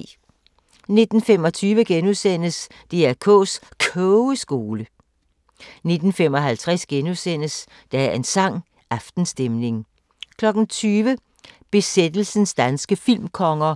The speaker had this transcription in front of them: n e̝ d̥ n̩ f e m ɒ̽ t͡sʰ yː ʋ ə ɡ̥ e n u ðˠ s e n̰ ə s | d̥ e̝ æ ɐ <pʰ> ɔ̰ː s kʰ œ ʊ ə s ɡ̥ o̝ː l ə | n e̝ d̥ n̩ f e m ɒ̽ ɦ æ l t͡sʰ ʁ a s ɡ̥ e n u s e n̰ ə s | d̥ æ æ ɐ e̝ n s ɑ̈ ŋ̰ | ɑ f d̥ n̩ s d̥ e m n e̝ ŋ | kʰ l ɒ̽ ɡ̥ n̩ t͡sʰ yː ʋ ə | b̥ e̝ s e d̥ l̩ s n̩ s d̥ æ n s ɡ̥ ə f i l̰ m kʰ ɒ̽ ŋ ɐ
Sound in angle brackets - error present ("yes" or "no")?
yes